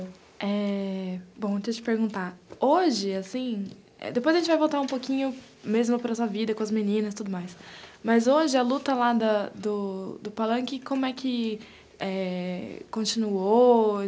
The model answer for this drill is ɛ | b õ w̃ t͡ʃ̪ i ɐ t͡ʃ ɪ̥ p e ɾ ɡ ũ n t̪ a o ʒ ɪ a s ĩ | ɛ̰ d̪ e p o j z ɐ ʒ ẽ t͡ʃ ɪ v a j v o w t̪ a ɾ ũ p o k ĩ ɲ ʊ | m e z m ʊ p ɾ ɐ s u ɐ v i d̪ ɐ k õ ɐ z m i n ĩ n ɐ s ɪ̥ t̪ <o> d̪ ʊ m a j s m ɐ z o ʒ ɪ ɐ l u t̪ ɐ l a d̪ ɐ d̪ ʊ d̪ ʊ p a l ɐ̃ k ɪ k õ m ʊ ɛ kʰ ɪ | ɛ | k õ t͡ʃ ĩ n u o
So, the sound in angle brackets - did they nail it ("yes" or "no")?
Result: no